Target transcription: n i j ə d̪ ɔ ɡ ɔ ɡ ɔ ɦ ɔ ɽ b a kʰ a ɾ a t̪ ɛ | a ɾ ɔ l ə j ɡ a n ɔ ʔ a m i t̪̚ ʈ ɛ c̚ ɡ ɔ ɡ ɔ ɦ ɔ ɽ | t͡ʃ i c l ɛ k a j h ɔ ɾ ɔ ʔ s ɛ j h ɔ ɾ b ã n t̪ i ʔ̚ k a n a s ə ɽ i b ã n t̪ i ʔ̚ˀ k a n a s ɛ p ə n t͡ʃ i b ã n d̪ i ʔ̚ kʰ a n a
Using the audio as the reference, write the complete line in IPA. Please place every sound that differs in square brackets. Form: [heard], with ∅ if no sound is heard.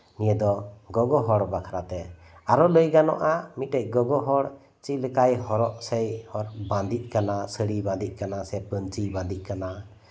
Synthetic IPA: n i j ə d̪ ɔ ɡ ɔ ɡ ɔ ɦ ɔ ɽ b a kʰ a ɾ a t̪ ɛ | a ɾ ɔ l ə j ɡ a n ɔ ʔ a m i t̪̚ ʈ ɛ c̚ ɡ ɔ ɡ ɔ ɦ ɔ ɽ | t͡ʃ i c l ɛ k a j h ɔ ɾ ɔ ʔ s ɛ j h ɔ ɾ b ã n [d̪] i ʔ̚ k a n a s ə ɽ i b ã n [d̪] i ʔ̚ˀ k a n a s ɛ p ə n t͡ʃ i b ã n d̪ i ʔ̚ [k] a n a

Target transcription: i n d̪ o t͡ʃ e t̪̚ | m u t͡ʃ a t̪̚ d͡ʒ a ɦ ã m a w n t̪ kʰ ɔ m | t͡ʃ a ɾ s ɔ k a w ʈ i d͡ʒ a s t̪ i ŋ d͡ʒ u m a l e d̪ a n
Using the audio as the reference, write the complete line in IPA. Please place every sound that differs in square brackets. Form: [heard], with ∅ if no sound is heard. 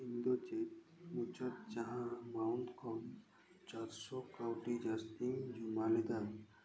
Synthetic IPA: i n d̪ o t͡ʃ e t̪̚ | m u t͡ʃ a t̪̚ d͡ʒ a ɦ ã m a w n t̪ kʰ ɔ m | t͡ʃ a ɾ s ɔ k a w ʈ i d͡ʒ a s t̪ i ŋ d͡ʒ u m a l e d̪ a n

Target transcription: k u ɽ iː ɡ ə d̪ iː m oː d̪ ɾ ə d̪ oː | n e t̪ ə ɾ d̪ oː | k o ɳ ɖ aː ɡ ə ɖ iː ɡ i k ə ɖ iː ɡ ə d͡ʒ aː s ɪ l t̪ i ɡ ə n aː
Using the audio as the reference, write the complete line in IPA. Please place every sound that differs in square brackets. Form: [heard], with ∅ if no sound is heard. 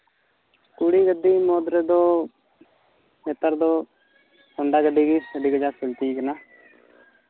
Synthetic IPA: k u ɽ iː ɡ ə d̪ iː m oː d̪ ɾ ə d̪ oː | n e t̪ ə ɾ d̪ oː | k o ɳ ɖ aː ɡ ə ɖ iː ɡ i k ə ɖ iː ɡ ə d͡ʒ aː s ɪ l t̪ i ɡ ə n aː

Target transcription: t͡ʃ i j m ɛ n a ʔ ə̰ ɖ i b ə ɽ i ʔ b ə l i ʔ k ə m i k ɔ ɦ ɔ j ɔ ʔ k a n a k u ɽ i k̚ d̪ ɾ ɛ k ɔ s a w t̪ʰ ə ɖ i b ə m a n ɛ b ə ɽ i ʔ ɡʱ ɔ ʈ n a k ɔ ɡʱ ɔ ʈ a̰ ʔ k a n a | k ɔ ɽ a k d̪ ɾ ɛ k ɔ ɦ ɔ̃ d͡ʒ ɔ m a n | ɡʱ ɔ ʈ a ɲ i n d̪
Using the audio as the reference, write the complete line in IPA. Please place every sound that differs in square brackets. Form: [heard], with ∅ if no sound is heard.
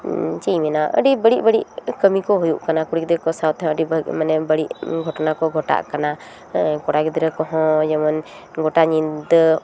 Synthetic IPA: t͡ʃ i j m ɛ n a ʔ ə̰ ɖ i b ə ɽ i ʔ b ə [ɽ] i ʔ k ə m i k ɔ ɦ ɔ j [u] ʔ k a n a k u ɽ i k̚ d̪ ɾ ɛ k ɔ s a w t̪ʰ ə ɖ i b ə m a n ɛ b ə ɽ i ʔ ɡʱ ɔ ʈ n a k ɔ ɡʱ ɔ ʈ a̰ ʔ k a n a | k ɔ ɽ a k d̪ ɾ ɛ k ɔ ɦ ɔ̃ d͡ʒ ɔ m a n | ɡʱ ɔ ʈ a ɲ i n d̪

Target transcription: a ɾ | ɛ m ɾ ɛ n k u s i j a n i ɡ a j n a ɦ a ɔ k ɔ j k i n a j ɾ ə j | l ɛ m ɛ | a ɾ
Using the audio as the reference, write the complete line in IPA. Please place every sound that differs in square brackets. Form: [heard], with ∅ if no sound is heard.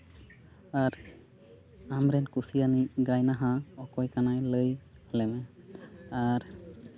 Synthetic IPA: a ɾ | [a] m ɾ ɛ n k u s i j a n i ɡ a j n a ɦ a ɔ k ɔ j k [a] n a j [l] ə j | l ɛ m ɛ | a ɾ

